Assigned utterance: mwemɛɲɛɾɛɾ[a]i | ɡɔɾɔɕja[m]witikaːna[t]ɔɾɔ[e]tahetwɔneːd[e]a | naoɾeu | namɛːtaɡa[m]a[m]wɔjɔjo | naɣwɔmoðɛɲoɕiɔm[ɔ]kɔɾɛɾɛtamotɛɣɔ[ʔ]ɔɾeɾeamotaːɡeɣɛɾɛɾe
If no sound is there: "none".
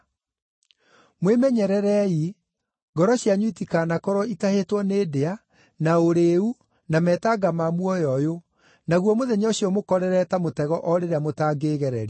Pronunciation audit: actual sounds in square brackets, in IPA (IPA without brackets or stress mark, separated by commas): ɛ, ɲ, k, i, e, m, m, o, ʔ